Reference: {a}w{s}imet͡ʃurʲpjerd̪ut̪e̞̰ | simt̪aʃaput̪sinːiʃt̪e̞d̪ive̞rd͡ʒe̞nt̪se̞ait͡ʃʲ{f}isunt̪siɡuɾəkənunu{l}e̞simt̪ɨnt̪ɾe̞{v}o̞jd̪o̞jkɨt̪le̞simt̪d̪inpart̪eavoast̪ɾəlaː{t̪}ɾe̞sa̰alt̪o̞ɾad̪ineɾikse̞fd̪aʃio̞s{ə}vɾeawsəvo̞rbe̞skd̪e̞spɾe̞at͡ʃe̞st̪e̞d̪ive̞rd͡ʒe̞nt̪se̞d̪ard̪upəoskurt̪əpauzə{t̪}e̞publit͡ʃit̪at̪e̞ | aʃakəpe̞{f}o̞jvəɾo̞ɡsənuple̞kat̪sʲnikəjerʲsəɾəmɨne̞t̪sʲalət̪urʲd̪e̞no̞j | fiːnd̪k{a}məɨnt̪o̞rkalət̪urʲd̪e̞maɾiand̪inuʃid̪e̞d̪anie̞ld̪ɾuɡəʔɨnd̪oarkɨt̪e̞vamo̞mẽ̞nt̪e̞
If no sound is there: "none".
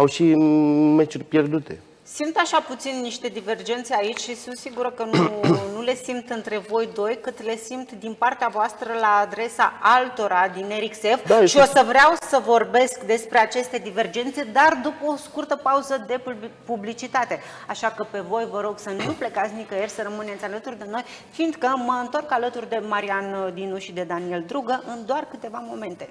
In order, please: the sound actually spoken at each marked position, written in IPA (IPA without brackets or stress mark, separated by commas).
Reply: a, ʃ, ʃ, l, v, d̪, ə, d̪, v, ə